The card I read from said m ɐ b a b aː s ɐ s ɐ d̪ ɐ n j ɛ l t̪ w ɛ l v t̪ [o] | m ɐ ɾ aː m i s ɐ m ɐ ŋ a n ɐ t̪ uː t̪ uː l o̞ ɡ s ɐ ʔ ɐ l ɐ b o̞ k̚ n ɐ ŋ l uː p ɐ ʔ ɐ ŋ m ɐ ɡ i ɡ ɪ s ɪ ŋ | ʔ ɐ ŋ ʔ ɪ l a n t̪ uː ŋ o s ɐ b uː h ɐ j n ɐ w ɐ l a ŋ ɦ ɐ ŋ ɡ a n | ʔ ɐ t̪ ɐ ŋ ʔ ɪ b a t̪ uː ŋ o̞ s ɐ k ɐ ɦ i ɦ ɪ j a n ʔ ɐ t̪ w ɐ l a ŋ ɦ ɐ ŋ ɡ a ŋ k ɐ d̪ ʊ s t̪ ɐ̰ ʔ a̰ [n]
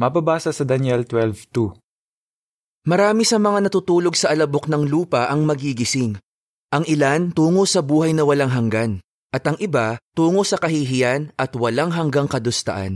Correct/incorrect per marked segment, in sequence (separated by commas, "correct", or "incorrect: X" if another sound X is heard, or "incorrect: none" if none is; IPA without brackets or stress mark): incorrect: u, correct